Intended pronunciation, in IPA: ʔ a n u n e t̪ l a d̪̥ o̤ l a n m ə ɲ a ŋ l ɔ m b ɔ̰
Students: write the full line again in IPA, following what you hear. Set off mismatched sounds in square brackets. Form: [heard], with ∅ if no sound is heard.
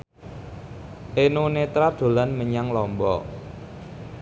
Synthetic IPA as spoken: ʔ [e] n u n e t̪ [ɾ] a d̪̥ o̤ l a n m ə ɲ a ŋ l ɔ m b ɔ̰